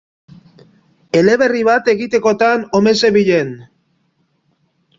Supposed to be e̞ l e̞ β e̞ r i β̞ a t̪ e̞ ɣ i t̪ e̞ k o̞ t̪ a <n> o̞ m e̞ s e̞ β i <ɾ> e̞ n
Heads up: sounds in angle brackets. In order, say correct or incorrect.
correct, incorrect: ʎ

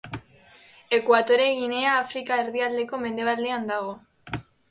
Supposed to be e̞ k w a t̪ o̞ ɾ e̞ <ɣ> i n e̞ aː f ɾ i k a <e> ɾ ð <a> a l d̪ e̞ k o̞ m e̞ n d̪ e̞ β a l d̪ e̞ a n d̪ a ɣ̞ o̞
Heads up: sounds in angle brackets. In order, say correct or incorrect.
correct, correct, incorrect: i

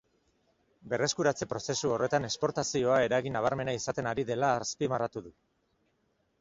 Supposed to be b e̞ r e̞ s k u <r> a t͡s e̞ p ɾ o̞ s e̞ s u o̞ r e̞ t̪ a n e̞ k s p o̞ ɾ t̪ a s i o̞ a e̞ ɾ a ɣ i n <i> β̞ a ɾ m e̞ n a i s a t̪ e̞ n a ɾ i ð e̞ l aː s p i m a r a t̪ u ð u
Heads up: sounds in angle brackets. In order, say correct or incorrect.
incorrect: ɾ, incorrect: a

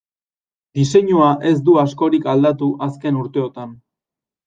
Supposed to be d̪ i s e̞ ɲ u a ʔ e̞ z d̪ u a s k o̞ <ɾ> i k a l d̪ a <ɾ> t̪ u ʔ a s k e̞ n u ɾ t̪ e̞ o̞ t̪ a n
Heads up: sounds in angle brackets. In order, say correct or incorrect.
correct, incorrect: none

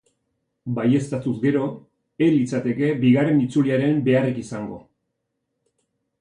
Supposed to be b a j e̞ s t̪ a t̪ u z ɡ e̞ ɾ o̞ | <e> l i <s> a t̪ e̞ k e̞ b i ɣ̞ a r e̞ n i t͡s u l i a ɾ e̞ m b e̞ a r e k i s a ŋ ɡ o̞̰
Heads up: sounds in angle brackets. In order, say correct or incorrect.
correct, incorrect: t͡s

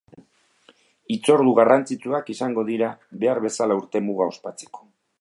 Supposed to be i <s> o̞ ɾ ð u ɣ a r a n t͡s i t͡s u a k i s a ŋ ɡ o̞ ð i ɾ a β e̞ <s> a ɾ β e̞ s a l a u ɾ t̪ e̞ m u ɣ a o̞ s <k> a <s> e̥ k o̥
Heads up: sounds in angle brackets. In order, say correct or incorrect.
incorrect: t͡s, incorrect: none, incorrect: p, incorrect: t͡s

